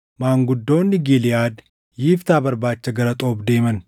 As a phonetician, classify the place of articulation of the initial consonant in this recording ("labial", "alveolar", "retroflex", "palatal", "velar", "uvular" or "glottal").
labial